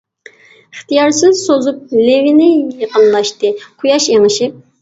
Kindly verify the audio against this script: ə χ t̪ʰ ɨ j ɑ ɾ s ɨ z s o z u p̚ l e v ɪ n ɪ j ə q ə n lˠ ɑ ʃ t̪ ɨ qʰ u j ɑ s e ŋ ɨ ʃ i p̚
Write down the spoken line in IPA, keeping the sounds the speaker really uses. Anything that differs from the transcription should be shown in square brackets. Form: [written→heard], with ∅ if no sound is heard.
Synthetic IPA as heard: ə χ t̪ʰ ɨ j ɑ ɾ s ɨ z s o z u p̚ l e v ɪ n ɪ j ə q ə n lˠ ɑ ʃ t̪ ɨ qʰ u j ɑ [s→ʃ] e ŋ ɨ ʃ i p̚